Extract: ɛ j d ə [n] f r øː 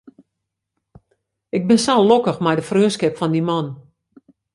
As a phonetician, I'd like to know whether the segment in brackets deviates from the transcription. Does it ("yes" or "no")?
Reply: yes